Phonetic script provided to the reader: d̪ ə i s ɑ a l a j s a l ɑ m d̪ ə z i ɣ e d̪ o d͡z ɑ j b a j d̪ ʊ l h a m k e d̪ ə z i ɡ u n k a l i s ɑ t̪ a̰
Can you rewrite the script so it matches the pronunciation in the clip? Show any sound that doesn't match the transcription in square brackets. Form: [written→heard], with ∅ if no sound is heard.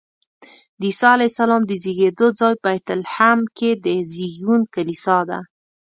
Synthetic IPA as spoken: d̪ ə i s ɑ a l a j s a l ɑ m d̪ ə z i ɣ e d̪ o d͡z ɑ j b a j [d̪→t̪] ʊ l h a m k e d̪ ə z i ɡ u n k a l i s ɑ [t̪→d̪] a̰